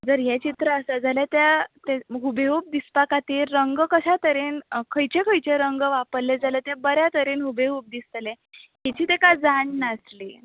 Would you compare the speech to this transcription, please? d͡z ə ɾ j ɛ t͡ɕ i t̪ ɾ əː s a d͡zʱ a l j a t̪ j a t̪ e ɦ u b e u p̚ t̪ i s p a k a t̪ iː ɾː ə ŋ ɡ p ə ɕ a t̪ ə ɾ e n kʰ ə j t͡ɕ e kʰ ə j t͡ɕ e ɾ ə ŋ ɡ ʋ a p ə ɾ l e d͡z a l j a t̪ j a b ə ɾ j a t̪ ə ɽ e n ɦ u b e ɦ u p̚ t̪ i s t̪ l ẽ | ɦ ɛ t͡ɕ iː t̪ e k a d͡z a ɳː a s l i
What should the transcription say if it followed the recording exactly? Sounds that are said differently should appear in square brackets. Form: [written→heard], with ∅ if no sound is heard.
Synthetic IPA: d͡z ə ɾ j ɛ t͡ɕ i t̪ ɾ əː s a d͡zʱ a l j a t̪ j a t̪ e ɦ u b e u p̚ [t̪→d̪] i s p a k a t̪ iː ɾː ə ŋ ɡ [p→k] ə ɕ a t̪ ə ɾ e n kʰ ə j t͡ɕ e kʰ ə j t͡ɕ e ɾ ə ŋ ɡ ʋ a p ə ɾ l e d͡z a l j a t̪ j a b ə ɾ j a t̪ ə [ɽ→ɾ] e n ɦ u b e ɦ u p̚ [t̪→d̪] i s t̪ l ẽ | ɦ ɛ t͡ɕ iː t̪ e k a d͡z a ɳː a s l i